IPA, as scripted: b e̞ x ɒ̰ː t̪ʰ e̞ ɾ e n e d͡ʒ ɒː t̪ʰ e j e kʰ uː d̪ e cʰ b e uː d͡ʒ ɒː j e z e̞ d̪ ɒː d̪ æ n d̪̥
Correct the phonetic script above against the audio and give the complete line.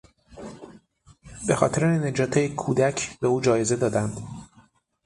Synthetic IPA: b e̞ x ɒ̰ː t̪ʰ e̞ ɾ e n e d͡ʒ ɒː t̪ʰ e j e kʰ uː d̪ æ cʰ b e uː d͡ʒ ɒː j e z e̞ d̪ ɒː d̪ æ n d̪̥